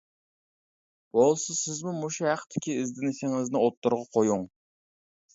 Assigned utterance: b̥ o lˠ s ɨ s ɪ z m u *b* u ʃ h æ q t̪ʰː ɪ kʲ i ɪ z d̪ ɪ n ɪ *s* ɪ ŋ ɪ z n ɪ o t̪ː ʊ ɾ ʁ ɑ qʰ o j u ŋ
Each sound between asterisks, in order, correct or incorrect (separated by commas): incorrect, correct